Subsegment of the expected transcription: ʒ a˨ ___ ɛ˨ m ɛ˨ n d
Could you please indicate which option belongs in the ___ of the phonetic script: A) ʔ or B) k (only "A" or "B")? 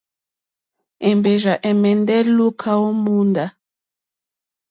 A